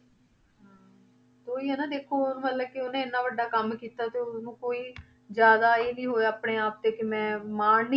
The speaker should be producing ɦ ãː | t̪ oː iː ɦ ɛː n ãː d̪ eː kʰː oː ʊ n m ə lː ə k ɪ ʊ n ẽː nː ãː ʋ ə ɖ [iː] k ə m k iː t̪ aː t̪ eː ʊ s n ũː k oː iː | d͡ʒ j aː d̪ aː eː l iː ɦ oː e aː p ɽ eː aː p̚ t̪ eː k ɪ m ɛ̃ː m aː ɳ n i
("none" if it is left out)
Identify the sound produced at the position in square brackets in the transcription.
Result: aː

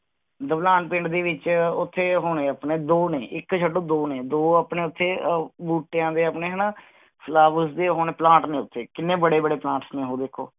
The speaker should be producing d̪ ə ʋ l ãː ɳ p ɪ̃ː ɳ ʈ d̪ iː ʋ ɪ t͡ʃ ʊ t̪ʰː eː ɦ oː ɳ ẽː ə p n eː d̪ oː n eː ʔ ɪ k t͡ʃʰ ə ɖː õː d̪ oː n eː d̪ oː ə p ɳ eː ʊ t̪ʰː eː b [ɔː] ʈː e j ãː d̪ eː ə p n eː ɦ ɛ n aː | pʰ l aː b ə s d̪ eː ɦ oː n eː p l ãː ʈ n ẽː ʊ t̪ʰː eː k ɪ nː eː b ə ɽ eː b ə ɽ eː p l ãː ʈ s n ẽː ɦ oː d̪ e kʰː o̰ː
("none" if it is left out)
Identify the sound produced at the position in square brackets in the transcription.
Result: uː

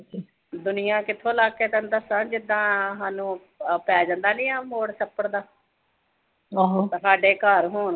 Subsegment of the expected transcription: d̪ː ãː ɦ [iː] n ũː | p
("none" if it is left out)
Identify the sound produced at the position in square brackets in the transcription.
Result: aː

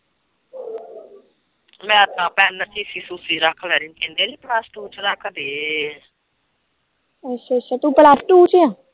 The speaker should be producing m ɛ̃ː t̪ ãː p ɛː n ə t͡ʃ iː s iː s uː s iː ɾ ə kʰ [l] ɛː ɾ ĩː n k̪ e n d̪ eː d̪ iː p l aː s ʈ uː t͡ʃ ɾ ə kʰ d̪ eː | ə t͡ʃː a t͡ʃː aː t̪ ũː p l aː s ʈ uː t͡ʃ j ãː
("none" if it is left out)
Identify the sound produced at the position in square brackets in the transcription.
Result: l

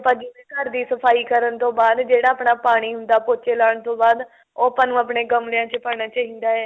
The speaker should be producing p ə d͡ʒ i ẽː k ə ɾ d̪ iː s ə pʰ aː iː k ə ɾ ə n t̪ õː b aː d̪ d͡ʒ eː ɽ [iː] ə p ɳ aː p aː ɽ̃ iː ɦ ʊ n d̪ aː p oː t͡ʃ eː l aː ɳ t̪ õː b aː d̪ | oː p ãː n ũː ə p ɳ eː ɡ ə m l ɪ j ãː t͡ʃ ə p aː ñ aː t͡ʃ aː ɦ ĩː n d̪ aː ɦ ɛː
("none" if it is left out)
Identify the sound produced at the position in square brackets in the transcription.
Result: aː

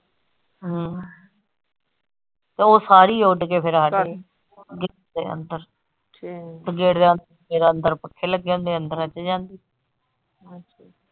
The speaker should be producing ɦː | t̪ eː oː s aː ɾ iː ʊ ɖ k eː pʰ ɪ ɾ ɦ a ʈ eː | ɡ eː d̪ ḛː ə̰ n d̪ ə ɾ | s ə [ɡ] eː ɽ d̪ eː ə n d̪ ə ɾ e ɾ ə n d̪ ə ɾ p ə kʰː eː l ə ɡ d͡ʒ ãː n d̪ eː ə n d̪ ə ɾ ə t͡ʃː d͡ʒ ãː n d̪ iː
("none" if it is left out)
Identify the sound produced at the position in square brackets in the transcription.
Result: ɡ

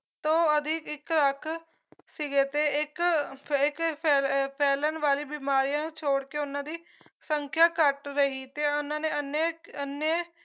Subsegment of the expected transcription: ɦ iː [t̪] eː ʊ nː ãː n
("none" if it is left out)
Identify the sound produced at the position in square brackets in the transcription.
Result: t̪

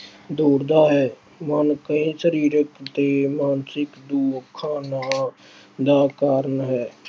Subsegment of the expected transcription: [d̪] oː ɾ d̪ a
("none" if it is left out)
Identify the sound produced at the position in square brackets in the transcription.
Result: d̪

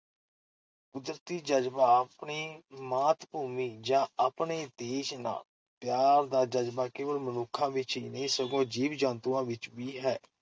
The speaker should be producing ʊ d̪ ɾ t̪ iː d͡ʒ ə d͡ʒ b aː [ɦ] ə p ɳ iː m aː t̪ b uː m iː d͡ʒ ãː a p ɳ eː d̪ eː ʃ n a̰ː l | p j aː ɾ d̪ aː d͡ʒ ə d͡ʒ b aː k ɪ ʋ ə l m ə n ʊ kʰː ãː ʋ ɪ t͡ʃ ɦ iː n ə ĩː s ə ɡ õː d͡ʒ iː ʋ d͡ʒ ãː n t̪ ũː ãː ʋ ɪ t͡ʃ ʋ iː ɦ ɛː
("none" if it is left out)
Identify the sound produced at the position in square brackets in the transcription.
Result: none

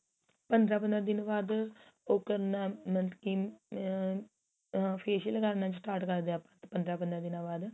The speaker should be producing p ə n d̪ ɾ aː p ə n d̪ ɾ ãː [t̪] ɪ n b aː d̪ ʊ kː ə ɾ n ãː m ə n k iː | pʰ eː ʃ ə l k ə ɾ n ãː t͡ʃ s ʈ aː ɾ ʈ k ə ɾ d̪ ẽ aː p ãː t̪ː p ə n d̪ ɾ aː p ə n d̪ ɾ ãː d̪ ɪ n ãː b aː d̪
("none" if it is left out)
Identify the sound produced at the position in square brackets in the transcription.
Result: d̪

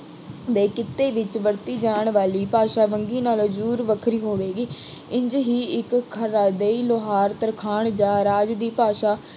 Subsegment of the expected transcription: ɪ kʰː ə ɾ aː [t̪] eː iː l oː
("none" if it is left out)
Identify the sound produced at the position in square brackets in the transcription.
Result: d̪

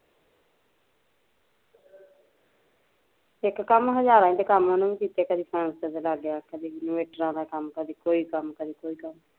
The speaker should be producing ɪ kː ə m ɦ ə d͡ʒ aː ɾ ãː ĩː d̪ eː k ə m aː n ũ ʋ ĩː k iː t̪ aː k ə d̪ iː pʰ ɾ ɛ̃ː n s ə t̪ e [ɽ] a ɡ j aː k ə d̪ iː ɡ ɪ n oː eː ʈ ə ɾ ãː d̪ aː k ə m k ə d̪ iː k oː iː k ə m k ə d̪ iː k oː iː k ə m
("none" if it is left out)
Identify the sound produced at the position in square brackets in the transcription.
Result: l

